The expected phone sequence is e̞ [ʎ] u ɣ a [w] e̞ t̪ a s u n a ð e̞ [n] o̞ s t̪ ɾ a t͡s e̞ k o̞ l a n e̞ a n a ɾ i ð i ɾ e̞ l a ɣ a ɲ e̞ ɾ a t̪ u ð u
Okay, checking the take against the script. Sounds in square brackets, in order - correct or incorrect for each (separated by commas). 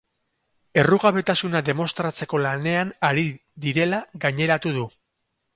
incorrect, incorrect, incorrect